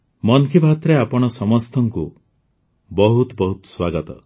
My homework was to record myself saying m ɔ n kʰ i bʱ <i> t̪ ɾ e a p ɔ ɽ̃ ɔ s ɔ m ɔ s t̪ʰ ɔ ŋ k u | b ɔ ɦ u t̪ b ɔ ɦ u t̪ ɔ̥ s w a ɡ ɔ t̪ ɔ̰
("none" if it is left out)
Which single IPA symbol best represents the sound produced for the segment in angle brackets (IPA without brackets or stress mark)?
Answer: a